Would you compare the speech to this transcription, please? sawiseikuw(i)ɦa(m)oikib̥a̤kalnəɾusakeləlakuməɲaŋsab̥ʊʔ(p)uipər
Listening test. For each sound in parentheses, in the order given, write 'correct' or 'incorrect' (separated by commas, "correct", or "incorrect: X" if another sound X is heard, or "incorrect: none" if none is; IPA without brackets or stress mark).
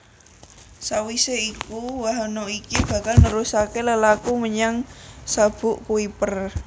incorrect: a, incorrect: n, incorrect: k